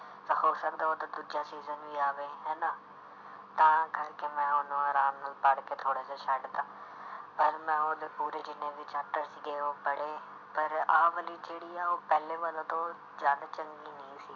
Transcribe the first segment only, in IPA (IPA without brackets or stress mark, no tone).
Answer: t̪